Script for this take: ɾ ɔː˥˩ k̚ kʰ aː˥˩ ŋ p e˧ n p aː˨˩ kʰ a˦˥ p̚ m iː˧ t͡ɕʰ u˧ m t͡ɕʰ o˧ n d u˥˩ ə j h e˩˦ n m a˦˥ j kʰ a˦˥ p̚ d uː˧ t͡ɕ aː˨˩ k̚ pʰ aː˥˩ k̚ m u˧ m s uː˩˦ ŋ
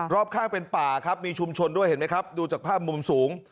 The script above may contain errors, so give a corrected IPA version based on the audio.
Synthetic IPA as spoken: ɾ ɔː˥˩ p̚ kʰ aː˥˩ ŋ p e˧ n p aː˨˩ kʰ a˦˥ p̚ m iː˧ t͡ɕʰ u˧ m t͡ɕʰ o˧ n d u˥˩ ə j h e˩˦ n m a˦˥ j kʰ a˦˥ p̚ d uː˧ t͡ɕ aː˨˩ k̚ pʰ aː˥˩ p̚ m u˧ m s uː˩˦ ŋ